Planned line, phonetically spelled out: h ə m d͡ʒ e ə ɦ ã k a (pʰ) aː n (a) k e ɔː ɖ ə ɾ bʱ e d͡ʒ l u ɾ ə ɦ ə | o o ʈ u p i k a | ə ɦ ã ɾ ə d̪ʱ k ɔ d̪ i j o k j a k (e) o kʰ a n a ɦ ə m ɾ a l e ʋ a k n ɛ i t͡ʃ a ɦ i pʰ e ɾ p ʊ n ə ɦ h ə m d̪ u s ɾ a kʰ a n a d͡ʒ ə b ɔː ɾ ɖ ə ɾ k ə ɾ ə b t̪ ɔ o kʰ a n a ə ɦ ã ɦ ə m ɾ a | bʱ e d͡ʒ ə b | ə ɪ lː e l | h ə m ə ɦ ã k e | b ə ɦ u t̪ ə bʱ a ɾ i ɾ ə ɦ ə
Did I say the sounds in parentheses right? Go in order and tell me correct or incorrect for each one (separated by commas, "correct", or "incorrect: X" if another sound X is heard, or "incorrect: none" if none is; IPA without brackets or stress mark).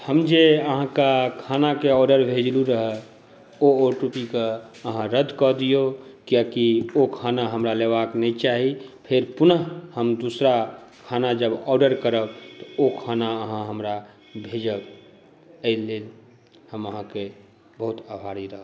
incorrect: kʰ, correct, incorrect: i